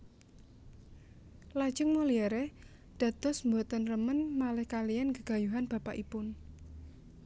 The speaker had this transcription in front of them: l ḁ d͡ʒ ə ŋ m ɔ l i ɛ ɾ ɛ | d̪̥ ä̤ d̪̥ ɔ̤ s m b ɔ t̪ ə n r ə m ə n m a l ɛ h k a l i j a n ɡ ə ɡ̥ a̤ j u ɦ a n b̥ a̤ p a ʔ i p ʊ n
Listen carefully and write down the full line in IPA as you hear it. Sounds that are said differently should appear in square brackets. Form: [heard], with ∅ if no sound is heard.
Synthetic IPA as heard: l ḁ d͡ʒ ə ŋ m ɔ l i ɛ ɾ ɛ | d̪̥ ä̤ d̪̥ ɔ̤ s m b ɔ t̪ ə n r ə m ə n m a l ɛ h k a l i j a n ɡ ə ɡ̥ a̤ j u ɦ a n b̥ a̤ p a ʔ i p ʊ n